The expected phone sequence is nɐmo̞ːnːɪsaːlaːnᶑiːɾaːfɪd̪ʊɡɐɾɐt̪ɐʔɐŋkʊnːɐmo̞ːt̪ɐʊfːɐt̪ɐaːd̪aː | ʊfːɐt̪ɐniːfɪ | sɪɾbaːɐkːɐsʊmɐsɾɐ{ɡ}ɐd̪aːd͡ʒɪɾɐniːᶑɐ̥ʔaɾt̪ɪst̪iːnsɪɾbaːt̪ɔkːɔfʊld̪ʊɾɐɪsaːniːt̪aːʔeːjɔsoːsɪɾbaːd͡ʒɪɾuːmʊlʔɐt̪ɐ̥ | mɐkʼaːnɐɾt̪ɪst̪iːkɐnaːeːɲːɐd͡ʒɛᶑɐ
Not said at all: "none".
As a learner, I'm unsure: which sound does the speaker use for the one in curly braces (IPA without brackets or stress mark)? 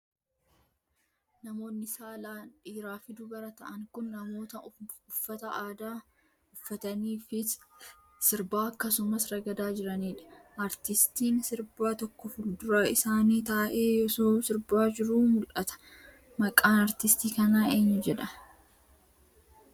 ɡ